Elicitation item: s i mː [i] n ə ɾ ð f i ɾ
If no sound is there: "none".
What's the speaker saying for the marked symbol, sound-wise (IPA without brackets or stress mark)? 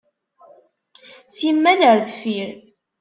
æ